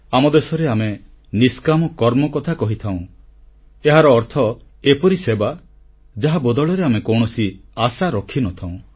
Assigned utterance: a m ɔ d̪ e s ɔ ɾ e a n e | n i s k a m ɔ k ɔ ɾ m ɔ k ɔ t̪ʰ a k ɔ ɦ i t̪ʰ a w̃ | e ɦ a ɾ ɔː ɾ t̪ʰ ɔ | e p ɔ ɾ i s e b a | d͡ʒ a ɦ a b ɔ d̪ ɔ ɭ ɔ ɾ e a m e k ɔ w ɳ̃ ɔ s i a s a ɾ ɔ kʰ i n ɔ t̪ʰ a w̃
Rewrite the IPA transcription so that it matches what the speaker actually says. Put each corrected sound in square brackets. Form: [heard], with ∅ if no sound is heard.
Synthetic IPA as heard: a m ɔ d̪ e s ɔ ɾ e a [m] e | n i s k a m ɔ k ɔ ɾ m ɔ k ɔ t̪ʰ a k ɔ ɦ i t̪ʰ a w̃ | e ɦ a ɾ ɔː ɾ t̪ʰ ɔ | e p ɔ ɾ i s e b a | d͡ʒ a ɦ a b ɔ d̪ ɔ ɭ ɔ ɾ e a m e k ɔ w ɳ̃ ɔ s i a s a ɾ ɔ kʰ i n ɔ t̪ʰ a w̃